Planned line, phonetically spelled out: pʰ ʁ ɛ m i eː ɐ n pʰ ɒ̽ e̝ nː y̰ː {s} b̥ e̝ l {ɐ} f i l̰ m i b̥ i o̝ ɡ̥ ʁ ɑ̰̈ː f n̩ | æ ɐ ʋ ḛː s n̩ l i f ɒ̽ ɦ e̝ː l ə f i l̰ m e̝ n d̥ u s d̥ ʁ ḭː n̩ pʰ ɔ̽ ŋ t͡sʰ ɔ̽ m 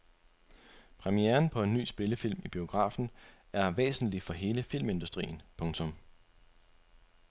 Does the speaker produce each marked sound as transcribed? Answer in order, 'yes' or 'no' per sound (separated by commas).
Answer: yes, no